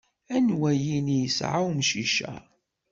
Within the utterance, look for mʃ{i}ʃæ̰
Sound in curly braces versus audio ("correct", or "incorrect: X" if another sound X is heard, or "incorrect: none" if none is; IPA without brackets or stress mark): correct